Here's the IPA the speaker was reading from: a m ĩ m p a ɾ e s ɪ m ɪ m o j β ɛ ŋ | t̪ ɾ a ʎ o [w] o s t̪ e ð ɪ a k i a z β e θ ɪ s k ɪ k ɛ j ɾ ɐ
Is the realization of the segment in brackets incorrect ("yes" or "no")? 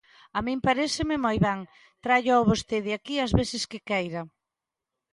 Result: yes